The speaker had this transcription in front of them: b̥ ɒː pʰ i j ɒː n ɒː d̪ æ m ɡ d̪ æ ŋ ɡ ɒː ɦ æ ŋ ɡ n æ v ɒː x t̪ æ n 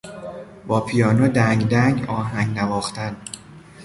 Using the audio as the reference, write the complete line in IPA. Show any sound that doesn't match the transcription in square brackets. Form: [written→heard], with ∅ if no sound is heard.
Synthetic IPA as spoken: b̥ ɒː pʰ i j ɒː n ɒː d̪ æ [m→ŋ] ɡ d̪ æ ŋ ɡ ɒː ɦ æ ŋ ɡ n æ v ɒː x t̪ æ n

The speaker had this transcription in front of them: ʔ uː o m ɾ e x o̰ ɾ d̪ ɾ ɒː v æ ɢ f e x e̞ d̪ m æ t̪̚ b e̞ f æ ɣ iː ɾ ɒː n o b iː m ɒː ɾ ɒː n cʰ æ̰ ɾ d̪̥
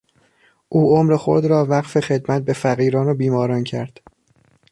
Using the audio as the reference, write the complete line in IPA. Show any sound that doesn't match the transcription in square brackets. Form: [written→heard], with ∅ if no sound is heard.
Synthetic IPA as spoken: ʔ uː o m ɾ e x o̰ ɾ d̪ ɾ ɒː v æ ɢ f e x e̞ d̪ m æ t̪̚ b e̞ f æ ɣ iː ɾ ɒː n o b iː m ɒː ɾ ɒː n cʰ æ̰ ɾ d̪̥

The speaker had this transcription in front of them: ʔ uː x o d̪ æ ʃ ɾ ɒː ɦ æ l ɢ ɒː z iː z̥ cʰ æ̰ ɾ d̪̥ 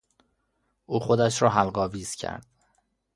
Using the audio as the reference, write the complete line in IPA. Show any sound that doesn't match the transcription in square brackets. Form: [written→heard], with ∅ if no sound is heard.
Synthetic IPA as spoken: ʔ uː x o d̪ æ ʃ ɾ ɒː ɦ æ l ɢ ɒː [z→v] iː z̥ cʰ æ̰ ɾ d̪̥

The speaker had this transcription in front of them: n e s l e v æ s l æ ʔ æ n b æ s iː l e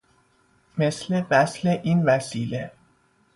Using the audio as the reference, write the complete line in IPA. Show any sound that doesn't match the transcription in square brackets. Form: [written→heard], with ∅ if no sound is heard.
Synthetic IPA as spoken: [n→m] e s l e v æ s l [æ→e] ʔ [æ→i] n [b→v] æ s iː l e

